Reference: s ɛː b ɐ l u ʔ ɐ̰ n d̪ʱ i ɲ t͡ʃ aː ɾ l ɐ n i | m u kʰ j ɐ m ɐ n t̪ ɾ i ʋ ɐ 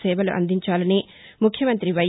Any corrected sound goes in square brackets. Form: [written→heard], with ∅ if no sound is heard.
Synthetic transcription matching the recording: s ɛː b ɐ l u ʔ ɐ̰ n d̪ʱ i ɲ t͡ʃ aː [ɾ→∅] l ɐ n i | m u kʰ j ɐ m ɐ n t̪ ɾ i ʋ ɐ